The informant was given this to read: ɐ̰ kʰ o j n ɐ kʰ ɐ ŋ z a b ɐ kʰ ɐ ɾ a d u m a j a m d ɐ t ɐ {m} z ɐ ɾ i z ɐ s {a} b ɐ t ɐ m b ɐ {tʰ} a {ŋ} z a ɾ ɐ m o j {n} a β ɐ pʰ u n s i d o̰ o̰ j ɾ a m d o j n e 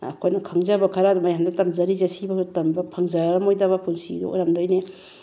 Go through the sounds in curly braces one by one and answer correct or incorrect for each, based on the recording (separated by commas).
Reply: correct, incorrect, incorrect, correct, incorrect